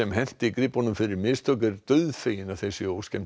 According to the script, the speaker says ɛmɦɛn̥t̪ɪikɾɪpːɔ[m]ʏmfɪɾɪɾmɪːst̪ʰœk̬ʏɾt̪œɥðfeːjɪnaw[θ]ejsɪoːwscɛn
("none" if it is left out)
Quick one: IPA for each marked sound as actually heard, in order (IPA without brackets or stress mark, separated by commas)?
n, θ